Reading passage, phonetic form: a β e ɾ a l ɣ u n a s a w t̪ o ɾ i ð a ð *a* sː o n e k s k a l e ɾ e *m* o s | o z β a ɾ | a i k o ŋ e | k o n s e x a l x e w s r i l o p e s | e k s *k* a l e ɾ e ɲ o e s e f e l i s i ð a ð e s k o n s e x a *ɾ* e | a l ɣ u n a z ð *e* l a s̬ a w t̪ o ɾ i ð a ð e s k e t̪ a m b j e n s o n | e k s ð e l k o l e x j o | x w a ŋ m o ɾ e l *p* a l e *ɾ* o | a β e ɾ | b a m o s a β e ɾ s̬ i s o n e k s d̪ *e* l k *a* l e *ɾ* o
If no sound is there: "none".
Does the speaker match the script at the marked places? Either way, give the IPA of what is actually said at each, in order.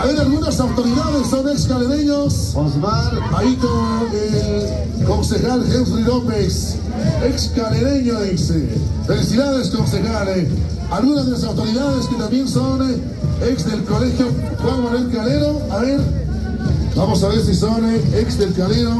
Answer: e, ɲ, k, l, e, k, ɾ, e, a, ɾ

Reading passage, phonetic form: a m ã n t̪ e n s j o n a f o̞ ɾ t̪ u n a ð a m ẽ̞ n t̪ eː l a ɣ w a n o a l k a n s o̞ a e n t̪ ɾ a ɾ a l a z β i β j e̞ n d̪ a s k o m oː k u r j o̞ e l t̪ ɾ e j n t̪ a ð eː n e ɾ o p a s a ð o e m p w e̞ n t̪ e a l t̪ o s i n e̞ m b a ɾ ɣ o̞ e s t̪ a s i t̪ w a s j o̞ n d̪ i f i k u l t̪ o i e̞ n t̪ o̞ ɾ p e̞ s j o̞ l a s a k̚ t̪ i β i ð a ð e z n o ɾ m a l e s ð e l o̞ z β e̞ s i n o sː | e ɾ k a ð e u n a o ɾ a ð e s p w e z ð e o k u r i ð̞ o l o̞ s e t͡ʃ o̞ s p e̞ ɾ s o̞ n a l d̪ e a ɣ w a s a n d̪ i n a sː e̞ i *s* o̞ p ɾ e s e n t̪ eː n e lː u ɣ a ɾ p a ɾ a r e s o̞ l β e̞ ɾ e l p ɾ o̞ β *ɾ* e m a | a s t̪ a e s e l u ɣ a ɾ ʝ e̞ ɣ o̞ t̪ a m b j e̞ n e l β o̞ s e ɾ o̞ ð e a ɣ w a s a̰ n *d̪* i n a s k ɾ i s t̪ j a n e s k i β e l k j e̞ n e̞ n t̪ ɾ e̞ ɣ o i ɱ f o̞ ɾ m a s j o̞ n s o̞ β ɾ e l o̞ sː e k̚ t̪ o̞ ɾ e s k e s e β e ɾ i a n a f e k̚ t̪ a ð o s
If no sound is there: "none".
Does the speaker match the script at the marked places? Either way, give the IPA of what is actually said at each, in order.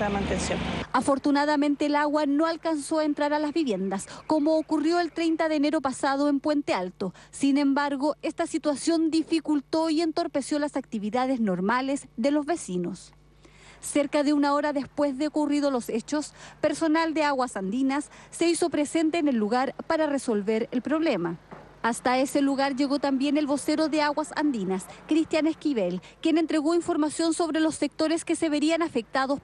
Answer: s, l, d̪

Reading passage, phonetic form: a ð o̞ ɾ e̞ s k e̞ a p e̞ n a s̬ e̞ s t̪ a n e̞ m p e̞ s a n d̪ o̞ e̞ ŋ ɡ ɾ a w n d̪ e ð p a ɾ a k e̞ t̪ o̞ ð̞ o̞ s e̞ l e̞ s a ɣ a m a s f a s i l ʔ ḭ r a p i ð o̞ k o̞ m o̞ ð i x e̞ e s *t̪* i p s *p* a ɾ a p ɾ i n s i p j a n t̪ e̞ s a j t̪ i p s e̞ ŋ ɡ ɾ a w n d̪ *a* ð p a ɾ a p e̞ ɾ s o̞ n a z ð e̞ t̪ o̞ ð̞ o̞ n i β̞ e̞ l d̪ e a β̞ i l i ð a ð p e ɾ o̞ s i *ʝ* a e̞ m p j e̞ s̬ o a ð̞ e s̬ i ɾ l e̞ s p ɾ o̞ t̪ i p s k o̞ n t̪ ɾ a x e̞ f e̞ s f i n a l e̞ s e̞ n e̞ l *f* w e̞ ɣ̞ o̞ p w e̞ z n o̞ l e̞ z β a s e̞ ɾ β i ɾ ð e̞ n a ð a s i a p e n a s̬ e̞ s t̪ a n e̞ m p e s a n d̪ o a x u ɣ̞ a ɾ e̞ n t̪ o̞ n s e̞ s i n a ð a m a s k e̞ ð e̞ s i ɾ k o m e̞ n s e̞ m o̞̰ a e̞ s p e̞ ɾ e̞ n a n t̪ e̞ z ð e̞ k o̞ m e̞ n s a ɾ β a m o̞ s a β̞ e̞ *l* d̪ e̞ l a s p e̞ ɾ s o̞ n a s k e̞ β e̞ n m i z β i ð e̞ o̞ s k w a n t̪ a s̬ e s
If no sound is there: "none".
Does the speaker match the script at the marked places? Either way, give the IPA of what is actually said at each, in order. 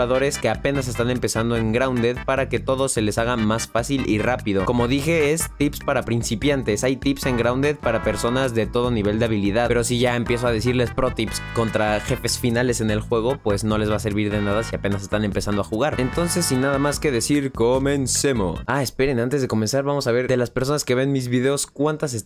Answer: t̪, p, e, ʝ, x, ɾ

